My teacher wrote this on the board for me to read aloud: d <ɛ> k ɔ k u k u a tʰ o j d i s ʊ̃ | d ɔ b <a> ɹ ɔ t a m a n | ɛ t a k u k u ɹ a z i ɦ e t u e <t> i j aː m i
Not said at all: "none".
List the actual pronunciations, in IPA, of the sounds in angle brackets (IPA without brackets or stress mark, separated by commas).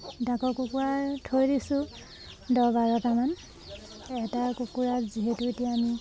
a, a, t